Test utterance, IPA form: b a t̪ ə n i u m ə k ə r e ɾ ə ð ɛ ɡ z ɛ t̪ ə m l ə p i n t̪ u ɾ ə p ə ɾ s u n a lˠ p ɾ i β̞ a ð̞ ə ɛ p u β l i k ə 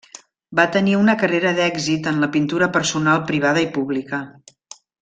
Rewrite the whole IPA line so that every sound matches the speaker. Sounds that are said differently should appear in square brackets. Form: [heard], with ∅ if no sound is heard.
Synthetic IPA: b a t̪ ə n i u [n] ə k ə r e ɾ ə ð ɛ ɡ z [i] t̪ ə [n] l ə p i n t̪ u ɾ ə p ə ɾ s u n a lˠ p ɾ i β̞ a ð̞ ə [i] p u β l i k ə